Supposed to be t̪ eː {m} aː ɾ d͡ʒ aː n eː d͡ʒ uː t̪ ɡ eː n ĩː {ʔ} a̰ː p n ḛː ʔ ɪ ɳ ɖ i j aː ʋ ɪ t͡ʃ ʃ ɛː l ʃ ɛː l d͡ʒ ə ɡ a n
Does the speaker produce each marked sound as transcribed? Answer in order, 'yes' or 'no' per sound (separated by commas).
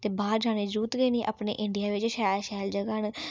no, yes